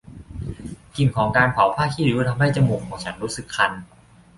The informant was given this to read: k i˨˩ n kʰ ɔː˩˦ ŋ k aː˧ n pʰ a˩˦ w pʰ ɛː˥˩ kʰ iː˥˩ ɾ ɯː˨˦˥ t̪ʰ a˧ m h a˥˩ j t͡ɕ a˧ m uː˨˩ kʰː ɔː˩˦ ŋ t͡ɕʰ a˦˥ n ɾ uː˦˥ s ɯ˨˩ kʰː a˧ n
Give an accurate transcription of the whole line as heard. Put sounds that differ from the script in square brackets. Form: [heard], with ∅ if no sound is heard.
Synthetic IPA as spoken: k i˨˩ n kʰ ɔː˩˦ ŋ k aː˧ n pʰ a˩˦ w pʰ [aː˥˩] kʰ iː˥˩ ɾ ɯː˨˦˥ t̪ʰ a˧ m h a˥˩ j t͡ɕ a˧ m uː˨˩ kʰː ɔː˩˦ ŋ t͡ɕʰ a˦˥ n ɾ uː˦˥ s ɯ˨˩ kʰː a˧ n